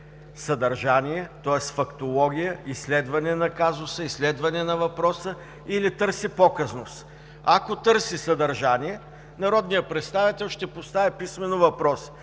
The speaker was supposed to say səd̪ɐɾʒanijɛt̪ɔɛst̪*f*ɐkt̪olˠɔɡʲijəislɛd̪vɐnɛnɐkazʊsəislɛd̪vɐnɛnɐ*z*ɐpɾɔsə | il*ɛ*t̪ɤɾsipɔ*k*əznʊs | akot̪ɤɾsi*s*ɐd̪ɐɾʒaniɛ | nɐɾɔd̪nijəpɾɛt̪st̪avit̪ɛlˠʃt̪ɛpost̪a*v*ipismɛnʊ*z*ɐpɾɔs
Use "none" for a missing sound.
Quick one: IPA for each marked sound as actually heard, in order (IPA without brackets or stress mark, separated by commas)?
f, v, i, k, s, v, v